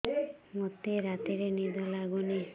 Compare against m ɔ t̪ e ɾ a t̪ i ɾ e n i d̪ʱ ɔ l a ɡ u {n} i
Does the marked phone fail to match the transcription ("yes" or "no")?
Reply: no